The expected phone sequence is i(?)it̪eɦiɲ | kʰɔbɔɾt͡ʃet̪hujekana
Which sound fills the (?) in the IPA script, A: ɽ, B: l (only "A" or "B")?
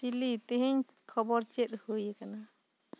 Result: B